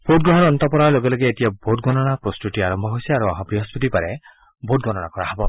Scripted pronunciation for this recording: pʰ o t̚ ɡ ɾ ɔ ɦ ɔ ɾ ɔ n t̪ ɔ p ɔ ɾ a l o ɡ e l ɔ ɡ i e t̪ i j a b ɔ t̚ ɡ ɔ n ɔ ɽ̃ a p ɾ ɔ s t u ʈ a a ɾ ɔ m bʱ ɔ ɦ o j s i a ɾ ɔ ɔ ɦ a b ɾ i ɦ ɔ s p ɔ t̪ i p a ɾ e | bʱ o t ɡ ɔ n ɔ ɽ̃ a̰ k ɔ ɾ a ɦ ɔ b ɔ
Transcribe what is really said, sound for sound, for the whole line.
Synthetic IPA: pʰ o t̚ ɡ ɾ ɔ ɦ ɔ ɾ ɔ n t̪ ɔ p ɔ ɾ a l o ɡ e l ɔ ɡ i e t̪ i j a b o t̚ ɡ ɔ n ɔ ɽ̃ a p ɾ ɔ s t u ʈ i a ɾ ɔ m bʱ ɔ ɦ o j s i a ɾ u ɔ ɦ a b ɾ i ɦ ɔ s p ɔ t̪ i p a ɾ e | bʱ o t ɡ ɔ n ɔ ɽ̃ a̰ k ɔ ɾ a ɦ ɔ b ɔ